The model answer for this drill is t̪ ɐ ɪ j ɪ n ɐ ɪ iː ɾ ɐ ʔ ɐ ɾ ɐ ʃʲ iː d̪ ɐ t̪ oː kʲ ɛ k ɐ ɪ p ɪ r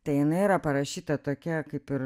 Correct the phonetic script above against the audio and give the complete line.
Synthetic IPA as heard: t̪ ɐ ɪ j ɪ n ɐ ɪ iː ɾ ɐ p ɐ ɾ ɐ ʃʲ iː t̪ ɐ t̪ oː kʲ ɛ k ɐ ɪ p ɪ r

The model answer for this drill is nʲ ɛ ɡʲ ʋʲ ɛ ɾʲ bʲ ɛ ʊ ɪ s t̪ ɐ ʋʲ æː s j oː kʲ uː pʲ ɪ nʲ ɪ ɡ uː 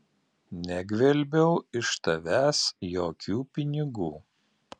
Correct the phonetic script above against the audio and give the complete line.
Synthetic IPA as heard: nʲ ɛ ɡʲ ʋʲ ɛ lʲ bʲ ɛ ʊ ɪ ʃ t̪ ɐ ʋʲ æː s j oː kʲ uː pʲ ɪ nʲ ɪ ɡ uː

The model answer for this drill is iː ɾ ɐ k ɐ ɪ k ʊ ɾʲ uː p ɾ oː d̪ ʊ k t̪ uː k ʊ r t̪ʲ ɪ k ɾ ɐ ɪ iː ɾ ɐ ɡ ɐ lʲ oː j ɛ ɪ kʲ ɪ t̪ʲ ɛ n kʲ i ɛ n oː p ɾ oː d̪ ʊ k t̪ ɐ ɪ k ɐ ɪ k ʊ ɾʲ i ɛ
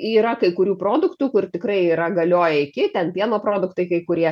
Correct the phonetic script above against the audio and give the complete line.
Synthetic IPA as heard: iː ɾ ɐ k ɐ ɪ k ʊ ɾʲ uː p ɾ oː d̪ ʊ k t̪ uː k ʊ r t̪ʲ ɪ k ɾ ɐ ɪ iː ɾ ɐ ɡ ɐ lʲ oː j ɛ ɪ kʲ ɪ t̪ʲ ɛ n pʲ i ɛ n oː p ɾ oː d̪ ʊ k t̪ ɐ ɪ k ɐ ɪ k ʊ ɾʲ i ɛ

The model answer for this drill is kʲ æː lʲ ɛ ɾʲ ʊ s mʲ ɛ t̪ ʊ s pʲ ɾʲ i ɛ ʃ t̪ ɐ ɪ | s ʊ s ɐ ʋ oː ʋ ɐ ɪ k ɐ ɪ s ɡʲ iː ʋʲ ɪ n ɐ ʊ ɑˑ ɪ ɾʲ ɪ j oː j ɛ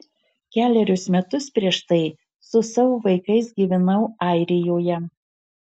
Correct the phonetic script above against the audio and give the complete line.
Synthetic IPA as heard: kʲ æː lʲ ɛ ɾʲ ʊ s mʲ ɛ t̪ ʊ s pʲ ɾʲ i ɛ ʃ t̪ ɐ ɪ | s ʊ s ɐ ʋ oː ʋ ɐ ɪ k ɐ ɪ s ɡʲ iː ʋʲ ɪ n ɐ ʊ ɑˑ ɪ ɾʲ ɪ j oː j ɛ

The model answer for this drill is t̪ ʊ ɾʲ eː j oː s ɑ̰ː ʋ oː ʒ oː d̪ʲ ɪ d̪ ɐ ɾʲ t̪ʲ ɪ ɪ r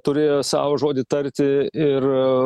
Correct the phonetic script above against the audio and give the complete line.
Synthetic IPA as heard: t̪ ʊ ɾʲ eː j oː s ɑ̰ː ʋ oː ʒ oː d̪ʲ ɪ t̪ ɐ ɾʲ t̪ʲ ɪ ɪ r

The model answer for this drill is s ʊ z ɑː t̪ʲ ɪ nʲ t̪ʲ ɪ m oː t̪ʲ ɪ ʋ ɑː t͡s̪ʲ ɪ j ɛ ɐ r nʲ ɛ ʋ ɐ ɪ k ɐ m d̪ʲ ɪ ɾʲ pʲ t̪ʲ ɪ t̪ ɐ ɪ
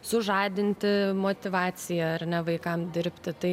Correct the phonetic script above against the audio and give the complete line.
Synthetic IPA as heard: s ʊ ʒ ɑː d̪ʲ ɪ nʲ t̪ʲ ɪ m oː t̪ʲ ɪ ʋ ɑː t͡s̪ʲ ɪ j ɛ ɐ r nʲ ɛ ʋ ɐ ɪ k ɐ m d̪ʲ ɪ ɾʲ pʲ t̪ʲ ɪ t̪ ɐ ɪ

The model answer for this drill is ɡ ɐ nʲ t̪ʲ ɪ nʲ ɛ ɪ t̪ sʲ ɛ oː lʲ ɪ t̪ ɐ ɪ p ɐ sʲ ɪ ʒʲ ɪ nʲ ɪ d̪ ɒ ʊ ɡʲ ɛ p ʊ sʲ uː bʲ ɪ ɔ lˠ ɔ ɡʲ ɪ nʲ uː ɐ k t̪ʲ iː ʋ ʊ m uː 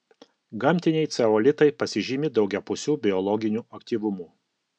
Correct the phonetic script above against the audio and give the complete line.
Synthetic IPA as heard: ɡ ɐ mʲ t̪ʲ ɪ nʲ ɛ ɪ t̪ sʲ ɛ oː lʲ ɪ t̪ ɐ ɪ p ɐ sʲ ɪ ʒʲ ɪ mʲ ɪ d̪ ɒ ʊ ɡʲ ɛ p ʊ sʲ uː bʲ ɪ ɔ lˠ ɔ ɡʲ ɪ nʲ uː ɐ k t̪ʲ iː ʋ ʊ m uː

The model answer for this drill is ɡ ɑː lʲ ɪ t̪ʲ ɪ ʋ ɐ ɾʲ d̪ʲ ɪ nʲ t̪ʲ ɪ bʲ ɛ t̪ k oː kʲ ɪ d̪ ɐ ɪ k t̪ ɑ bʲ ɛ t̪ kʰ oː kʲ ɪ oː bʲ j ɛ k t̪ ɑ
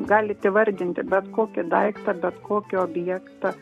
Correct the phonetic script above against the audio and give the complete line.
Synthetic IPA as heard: ɡ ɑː lʲ ɪ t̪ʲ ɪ ʋ ɐ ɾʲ d̪ʲ ɪ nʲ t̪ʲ ɪ bʲ ɛ t̪ k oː kʲ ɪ d̪ ɐ ɪ k t̪ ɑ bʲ ɛ t̪ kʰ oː kʲ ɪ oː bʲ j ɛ k t̪ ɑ

